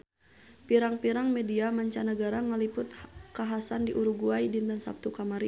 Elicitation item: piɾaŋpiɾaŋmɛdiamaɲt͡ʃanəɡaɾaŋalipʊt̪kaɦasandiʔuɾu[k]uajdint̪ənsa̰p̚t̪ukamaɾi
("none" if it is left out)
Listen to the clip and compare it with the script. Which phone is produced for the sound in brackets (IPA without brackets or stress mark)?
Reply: ɡ